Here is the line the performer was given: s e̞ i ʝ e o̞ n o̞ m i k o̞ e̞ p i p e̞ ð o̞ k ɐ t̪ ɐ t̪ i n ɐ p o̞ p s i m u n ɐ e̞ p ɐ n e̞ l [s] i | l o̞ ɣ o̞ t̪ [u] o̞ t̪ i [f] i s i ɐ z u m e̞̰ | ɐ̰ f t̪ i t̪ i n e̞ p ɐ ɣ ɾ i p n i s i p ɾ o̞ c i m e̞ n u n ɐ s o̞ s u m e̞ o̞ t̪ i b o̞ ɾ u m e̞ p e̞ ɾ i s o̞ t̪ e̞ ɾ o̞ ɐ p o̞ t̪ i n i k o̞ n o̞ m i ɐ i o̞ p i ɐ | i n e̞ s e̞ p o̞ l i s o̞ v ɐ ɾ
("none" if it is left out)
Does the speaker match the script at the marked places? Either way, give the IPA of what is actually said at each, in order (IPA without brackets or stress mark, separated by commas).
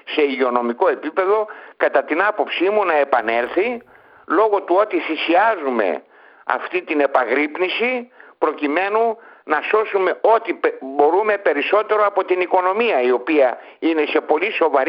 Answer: θ, u, θ